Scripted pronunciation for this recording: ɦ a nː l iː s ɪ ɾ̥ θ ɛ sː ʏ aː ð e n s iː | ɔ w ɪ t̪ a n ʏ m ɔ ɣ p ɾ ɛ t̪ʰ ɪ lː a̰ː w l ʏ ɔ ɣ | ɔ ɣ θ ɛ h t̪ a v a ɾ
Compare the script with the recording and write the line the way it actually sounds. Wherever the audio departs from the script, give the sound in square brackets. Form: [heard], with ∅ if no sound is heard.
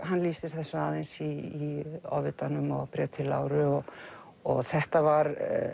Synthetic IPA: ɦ a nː l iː s ɪ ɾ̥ θ ɛ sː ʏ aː ð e n s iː | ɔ [v] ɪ t̪ a n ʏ m ɔ ɣ p ɾ ɛ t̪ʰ ɪ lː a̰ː w [ɾ] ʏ ɔ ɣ | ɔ ɣ θ ɛ h t̪ a v a ɾ

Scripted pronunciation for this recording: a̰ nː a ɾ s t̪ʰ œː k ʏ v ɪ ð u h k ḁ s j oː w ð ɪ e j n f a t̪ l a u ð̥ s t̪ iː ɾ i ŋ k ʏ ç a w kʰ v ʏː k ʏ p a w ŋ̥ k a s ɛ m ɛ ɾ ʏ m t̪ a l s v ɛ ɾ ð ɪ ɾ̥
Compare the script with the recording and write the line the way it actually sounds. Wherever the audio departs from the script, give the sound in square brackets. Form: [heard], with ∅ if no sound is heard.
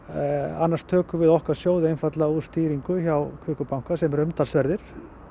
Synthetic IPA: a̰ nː a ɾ s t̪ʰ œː k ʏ v ɪ ð [ɔ] h k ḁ s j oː w ð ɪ e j n f a t̪ l a u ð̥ s t̪ iː ɾ i ŋ k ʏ ç a w kʰ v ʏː k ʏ p a w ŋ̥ k a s ɛ m ɛ ɾ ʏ m t̪ a l s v ɛ ɾ ð ɪ ɾ̥

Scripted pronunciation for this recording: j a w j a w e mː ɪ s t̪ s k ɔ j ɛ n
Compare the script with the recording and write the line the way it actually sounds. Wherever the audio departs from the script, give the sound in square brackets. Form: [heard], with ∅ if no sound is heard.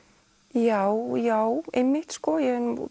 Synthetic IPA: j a w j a w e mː ɪ [h] t̪ s k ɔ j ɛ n

